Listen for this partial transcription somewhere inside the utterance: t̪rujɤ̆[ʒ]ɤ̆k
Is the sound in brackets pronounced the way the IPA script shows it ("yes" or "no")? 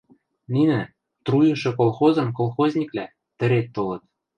no